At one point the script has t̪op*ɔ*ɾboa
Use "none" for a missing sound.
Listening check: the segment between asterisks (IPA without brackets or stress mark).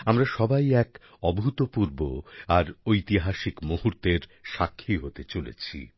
u